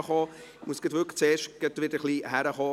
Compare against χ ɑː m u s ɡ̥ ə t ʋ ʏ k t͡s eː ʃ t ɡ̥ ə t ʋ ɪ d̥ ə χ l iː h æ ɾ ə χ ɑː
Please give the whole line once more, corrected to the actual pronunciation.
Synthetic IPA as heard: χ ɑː m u s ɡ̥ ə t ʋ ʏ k t͡s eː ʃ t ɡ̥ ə t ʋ ɪ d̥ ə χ l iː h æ ɾ ə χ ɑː